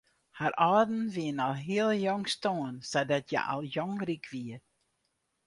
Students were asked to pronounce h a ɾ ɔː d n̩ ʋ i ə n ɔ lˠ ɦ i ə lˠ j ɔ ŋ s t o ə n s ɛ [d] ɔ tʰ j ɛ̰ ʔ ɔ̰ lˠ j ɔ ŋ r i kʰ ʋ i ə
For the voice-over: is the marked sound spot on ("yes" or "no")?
yes